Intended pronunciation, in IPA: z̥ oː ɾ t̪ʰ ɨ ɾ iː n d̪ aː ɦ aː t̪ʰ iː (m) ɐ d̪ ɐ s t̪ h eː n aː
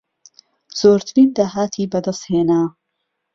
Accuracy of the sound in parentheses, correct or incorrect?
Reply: incorrect